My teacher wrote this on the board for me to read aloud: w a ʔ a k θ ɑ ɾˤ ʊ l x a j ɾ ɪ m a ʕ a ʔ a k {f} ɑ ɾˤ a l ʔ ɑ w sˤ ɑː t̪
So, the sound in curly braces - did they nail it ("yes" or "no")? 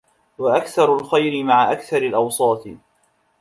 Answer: no